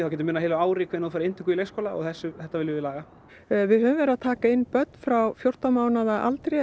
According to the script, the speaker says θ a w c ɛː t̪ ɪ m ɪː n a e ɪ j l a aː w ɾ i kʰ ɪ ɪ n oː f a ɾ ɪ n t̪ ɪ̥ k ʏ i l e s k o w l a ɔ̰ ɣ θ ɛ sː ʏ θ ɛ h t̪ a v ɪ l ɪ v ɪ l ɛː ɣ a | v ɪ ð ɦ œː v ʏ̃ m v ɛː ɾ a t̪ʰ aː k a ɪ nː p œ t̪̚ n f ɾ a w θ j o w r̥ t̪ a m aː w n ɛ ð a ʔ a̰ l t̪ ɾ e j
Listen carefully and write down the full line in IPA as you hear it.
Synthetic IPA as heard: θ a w c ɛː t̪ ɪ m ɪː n a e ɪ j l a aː w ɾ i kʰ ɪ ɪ n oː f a ɾ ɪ n t̪ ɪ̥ k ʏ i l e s k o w l a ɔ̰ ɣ θ ɛ sː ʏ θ ɛ h t̪ a v ɪ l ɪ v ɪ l aː ɣ a | v ɪ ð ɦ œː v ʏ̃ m v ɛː ɾ a t̪ʰ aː k a ɪ nː p œ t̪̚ n f ɾ a w f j o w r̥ t̪ a m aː w n a ð a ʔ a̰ l t̪ ɾ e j